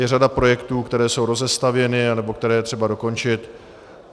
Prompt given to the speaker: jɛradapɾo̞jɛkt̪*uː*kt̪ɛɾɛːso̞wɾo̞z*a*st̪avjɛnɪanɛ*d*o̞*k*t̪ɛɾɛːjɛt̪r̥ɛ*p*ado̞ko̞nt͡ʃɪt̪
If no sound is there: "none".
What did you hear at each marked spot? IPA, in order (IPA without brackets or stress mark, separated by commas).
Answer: uː, ɛ, b, k, b